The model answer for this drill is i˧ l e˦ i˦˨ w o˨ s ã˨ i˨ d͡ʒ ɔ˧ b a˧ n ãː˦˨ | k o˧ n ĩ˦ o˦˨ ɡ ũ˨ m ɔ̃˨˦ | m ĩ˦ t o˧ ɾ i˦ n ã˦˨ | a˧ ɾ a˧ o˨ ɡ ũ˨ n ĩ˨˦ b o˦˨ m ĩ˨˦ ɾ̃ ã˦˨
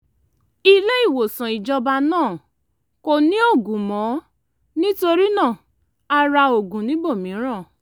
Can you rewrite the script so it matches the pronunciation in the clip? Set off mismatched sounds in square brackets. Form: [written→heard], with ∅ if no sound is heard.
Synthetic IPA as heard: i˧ l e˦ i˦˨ w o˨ s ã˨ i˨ d͡ʒ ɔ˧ b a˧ n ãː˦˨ | k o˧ n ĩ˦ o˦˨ ɡ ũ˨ m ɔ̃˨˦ | [m→n] ĩ˦ t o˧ ɾ i˦ n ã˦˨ | a˧ ɾ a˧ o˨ ɡ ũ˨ n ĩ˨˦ b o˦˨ m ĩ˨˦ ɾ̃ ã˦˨